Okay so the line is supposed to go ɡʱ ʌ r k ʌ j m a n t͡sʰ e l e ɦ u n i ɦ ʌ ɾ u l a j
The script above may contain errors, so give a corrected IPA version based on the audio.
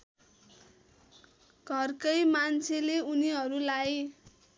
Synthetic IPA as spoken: ɡʱ ʌ r k ʌ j m a n t͡sʰ e l e u n i ɦ ʌ ɾ u l a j